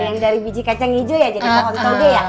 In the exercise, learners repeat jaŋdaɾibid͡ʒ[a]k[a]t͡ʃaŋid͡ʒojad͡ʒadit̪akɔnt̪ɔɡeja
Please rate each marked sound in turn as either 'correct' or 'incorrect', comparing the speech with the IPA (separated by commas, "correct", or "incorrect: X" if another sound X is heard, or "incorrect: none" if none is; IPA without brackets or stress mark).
incorrect: i, correct